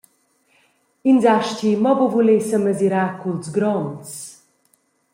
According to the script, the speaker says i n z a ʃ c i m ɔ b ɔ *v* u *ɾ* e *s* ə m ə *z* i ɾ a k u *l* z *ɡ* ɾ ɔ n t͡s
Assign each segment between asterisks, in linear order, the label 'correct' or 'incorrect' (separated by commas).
correct, incorrect, correct, correct, correct, correct